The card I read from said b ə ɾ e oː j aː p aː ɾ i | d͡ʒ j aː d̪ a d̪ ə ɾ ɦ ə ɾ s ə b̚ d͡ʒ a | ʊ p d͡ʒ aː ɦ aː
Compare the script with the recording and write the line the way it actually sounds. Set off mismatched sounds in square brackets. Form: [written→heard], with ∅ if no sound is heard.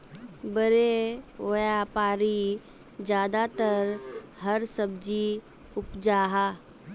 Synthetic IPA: b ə ɾ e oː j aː p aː ɾ i | d͡ʒ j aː d̪ a [d̪→t̪] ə ɾ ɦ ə ɾ s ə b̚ d͡ʒ [a→i] | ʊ p d͡ʒ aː ɦ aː